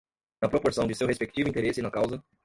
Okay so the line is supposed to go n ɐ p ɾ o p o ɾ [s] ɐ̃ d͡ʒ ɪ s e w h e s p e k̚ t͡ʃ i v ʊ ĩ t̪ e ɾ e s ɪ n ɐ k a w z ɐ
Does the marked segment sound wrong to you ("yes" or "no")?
no